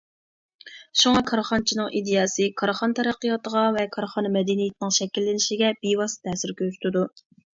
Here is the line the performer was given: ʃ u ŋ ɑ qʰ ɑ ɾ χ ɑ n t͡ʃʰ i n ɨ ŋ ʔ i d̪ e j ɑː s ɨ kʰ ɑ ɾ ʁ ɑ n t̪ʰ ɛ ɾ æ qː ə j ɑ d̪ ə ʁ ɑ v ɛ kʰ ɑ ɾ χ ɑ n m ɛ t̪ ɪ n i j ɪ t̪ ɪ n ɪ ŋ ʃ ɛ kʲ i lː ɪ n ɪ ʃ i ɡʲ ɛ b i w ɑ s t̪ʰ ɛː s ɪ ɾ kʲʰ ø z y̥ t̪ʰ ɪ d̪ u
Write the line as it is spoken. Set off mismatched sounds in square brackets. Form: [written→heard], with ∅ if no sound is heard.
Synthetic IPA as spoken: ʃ u ŋ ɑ [qʰ→kʰ] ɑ ɾ χ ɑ n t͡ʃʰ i n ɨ ŋ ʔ i d̪ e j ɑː s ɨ kʰ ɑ ɾ [ʁ→χ] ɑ n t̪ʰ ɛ ɾ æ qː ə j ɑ [d̪→t̪] ə ʁ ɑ v ɛ kʰ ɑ ɾ χ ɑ n m ɛ [t̪→d̪] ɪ n i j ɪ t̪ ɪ n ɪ ŋ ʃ ɛ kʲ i lː ɪ n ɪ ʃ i ɡʲ ɛ b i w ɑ s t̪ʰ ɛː s ɪ ɾ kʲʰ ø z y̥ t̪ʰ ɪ d̪ u